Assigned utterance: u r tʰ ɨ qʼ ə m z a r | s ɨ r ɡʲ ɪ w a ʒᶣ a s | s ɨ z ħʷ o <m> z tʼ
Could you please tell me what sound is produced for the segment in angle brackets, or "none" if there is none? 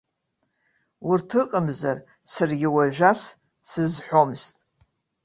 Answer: m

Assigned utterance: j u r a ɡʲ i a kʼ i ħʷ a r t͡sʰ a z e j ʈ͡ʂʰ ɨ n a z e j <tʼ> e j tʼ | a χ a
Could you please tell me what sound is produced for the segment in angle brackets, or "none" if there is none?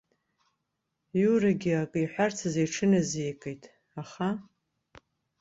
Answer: kʼ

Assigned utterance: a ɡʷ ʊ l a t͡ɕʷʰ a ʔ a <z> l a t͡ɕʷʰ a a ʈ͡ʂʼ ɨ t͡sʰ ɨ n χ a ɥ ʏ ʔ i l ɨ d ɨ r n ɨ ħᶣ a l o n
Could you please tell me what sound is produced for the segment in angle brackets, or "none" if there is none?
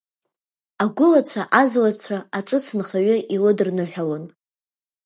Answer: z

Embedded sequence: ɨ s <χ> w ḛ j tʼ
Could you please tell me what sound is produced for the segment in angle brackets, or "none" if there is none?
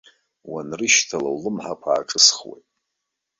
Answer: χ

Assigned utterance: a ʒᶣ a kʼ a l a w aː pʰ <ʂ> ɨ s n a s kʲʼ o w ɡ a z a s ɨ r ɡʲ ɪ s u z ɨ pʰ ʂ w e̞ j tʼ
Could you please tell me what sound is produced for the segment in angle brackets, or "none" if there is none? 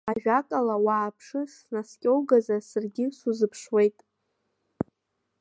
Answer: ʂ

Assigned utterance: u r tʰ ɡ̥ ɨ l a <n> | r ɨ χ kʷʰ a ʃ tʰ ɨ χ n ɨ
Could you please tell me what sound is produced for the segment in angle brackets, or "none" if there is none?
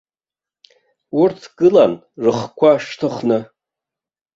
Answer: n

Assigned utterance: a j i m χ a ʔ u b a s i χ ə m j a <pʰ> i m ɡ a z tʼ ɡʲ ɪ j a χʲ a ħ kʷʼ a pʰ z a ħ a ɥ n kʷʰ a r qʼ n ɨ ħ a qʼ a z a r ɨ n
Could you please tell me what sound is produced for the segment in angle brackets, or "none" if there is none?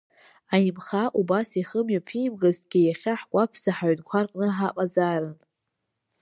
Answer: pʰ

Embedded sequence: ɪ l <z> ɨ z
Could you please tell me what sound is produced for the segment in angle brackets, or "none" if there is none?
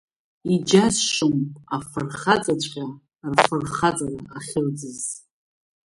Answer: d͡z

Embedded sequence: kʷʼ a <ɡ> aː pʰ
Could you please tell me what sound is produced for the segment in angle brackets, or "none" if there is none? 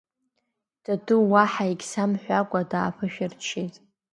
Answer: d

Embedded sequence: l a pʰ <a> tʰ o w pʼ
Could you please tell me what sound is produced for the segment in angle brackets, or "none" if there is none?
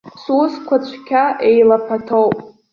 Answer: a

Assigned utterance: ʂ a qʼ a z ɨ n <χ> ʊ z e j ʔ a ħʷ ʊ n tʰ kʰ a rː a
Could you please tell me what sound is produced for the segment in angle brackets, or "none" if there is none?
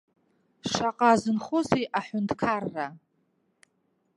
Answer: χ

